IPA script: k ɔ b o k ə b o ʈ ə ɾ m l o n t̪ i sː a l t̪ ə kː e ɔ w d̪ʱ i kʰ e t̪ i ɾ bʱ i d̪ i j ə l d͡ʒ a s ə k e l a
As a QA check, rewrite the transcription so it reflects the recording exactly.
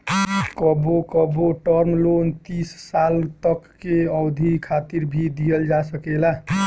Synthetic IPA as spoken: k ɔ b o k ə b o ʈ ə ɾ m l o n t̪ i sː a l t̪ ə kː e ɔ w d̪ʱ i kʰ a t̪ i ɾ bʱ i d̪ i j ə l d͡ʒ a s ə k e l a